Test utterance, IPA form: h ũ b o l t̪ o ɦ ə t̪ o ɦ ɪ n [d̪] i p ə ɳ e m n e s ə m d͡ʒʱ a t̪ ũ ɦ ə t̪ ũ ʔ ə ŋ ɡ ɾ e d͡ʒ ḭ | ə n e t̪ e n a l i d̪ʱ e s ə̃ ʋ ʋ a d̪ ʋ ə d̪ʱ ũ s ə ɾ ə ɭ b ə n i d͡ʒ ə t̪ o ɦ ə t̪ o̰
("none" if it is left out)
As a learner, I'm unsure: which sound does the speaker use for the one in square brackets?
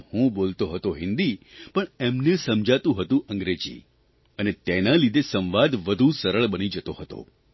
d̪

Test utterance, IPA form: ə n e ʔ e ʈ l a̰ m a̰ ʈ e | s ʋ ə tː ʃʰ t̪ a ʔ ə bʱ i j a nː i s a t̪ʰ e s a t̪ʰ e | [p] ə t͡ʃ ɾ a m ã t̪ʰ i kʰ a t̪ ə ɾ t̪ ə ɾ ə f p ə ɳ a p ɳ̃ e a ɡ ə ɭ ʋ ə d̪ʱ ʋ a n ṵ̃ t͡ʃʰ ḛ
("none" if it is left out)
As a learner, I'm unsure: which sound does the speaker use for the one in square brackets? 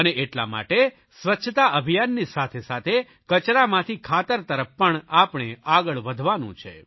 k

